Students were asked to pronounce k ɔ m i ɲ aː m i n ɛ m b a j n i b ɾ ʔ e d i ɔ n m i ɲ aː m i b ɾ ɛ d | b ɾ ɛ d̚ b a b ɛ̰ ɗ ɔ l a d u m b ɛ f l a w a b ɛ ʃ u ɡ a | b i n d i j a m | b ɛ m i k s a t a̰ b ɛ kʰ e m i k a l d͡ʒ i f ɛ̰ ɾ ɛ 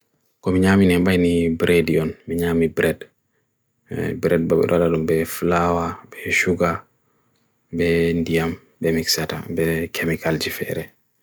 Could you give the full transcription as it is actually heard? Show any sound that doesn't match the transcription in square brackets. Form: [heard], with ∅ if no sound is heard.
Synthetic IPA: k ɔ m i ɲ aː m i n ɛ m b a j n i b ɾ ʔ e d i ɔ n m i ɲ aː m i b ɾ ɛ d | b ɾ ɛ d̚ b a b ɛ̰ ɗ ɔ l a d u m b ɛ f l a w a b ɛ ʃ u ɡ a | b [ɛ] n d i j a m | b ɛ m i k s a t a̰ b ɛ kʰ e m i k a l d͡ʒ i f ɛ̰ ɾ ɛ

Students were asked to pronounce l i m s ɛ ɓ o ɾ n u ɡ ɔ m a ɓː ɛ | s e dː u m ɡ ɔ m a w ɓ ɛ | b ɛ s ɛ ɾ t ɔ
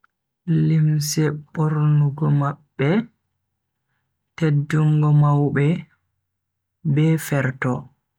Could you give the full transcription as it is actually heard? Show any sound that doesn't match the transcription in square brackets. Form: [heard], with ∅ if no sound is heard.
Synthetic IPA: l i m s ɛ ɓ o ɾ n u ɡ ɔ m a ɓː ɛ | [t] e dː u [ŋ] ɡ ɔ m a w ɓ ɛ | b ɛ [f] ɛ ɾ t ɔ

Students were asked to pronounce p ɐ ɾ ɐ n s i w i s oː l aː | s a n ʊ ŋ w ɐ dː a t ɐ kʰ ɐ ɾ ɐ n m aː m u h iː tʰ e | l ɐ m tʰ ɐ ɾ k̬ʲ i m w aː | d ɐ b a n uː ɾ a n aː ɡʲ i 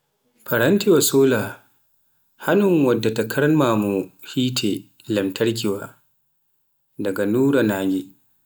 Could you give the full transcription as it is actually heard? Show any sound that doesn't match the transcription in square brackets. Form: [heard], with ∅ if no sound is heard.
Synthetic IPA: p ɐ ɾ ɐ n [t] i w [a] s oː l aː | [h] a n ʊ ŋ w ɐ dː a t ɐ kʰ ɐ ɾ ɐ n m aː m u h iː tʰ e | l ɐ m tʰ ɐ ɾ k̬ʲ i [∅] w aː | d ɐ [ɡ] a n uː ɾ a n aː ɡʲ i

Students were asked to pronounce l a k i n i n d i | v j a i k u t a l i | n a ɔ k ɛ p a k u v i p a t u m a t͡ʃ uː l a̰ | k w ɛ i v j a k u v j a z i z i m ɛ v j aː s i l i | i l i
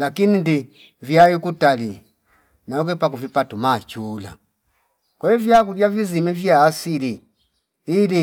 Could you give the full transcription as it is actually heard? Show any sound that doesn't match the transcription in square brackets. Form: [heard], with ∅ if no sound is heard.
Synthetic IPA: l a k i n i n d i | v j a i k u t a l i | n a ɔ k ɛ p a k u v i p a t u m a t͡ʃ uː l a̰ | k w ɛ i v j a k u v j a [v] i z i m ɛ v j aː s i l i | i l i

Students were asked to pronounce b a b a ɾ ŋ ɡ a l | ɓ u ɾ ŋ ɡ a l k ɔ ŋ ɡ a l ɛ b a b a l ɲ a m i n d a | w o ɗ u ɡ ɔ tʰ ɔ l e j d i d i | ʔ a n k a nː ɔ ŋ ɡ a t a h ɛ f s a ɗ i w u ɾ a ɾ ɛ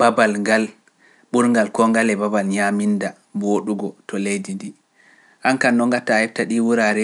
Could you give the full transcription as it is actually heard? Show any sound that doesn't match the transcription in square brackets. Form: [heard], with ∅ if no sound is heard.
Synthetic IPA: b a b a [l] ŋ ɡ a l | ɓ u ɾ ŋ ɡ a l k ɔ ŋ ɡ a l ɛ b a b a l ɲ a m i n d a | [b] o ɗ u ɡ ɔ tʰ ɔ l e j d i d i | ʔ a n k a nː ɔ ŋ ɡ a t a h ɛ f [t] a ɗ i w u ɾ a ɾ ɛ

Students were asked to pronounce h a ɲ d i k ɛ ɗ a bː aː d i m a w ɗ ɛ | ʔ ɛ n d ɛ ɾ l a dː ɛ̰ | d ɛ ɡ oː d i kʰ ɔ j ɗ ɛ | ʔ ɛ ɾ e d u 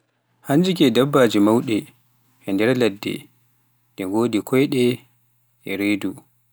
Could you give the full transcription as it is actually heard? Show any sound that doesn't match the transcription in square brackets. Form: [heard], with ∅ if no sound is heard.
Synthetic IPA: h a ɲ [d͡ʒ] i k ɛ [d] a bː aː [d͡ʒ] i m a w ɗ ɛ | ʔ ɛ n d ɛ ɾ l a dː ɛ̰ | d ɛ ɡ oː d i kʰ ɔ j ɗ ɛ | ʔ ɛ ɾ e d u

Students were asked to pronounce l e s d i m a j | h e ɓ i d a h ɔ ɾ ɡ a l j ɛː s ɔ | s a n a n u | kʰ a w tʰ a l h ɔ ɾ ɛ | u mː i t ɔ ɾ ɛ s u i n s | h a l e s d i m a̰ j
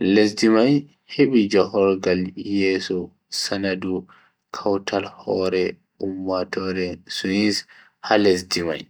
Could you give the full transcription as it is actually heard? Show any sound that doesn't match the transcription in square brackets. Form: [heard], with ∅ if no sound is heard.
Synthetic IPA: l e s d i m a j | h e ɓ i [d͡ʒ] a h ɔ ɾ ɡ a l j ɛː s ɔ | s a n a [d] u | kʰ a w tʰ a l h ɔ ɾ ɛ | u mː [a] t ɔ ɾ ɛ s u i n s | h a l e s d i m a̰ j

